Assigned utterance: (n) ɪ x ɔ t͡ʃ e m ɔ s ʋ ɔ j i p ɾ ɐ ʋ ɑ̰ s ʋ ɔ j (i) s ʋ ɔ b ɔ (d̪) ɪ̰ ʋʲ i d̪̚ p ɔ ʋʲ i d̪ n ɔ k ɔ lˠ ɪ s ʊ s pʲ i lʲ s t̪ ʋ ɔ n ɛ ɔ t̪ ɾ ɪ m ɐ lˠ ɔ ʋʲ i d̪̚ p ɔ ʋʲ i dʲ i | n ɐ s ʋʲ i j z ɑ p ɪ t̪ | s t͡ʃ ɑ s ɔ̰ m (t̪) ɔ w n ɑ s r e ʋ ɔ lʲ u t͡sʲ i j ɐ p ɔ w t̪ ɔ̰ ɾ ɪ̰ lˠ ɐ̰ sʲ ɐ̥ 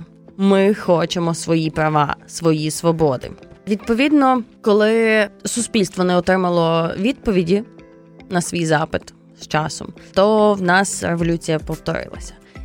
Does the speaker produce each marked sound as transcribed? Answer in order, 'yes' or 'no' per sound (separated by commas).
no, yes, yes, yes